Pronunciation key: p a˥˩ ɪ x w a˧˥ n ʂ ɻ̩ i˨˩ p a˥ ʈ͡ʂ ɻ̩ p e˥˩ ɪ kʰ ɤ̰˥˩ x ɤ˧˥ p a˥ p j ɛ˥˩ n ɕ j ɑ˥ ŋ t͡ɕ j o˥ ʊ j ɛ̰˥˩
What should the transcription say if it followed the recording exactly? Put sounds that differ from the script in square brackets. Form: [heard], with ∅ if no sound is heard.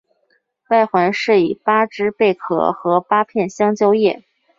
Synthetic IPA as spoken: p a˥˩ ɪ x w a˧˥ n ʂ ɻ̩ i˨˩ p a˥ ʈ͡ʂ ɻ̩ p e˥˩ ɪ kʰ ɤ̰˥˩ x ɤ˧˥ p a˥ [pʰ] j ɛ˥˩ n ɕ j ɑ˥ ŋ t͡ɕ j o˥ ʊ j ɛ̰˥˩